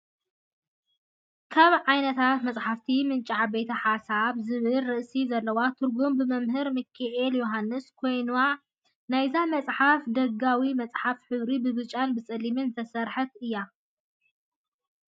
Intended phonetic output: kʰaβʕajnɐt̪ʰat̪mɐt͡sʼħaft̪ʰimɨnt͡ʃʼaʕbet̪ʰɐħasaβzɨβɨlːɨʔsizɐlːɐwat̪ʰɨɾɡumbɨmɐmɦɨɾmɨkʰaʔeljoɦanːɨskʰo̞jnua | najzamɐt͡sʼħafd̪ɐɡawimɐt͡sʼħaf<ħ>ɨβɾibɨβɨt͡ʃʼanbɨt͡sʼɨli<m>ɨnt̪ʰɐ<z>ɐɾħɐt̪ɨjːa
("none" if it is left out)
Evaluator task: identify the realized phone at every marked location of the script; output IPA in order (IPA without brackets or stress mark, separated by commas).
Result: ħ, m, s